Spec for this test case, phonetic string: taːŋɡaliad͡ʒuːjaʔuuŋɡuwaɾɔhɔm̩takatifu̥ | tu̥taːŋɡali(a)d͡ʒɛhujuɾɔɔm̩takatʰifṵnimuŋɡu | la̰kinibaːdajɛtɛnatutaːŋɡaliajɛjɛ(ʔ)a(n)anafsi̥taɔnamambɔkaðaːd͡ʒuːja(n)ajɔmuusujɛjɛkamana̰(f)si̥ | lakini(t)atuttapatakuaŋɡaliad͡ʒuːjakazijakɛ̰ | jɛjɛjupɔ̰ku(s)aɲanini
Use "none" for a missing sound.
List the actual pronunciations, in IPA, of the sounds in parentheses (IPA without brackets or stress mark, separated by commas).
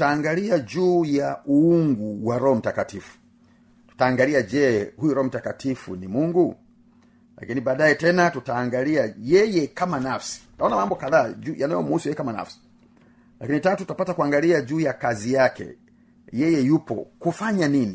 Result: a, k, m, n, f, t, f